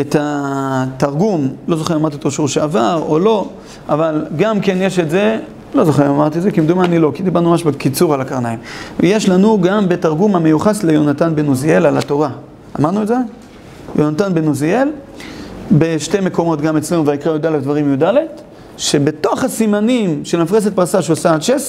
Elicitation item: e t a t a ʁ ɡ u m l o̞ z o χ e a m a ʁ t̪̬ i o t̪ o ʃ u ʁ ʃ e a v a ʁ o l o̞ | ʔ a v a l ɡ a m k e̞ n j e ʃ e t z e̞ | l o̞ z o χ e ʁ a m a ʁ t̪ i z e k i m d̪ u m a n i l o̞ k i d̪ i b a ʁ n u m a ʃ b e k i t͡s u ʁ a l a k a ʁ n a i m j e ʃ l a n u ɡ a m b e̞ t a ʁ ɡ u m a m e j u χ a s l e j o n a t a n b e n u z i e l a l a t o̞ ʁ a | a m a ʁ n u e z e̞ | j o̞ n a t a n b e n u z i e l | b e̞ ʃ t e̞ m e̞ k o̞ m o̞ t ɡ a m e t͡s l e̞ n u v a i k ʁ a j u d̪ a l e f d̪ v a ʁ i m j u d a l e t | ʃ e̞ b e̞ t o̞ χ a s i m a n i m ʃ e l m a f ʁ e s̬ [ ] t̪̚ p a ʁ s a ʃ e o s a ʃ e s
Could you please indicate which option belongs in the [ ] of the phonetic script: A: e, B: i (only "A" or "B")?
A